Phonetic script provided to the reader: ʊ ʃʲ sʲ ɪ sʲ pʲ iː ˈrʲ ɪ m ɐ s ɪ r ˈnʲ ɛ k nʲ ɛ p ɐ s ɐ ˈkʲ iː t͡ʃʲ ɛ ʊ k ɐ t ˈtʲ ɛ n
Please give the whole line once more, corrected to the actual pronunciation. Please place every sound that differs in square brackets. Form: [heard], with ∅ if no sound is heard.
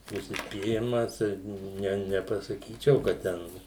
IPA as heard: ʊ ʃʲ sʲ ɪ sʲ pʲ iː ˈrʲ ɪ m ɐ s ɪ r ˈnʲ ɛ [∅] nʲ ɛ p ɐ s ɐ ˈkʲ iː t͡ʃʲ ɛ ʊ k ɐ t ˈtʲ ɛ n